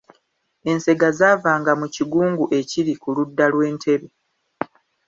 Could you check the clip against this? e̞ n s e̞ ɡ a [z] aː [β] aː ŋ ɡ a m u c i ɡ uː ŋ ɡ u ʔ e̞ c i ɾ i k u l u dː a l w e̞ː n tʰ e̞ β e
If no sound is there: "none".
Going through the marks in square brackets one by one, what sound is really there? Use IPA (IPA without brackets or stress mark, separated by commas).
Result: z, v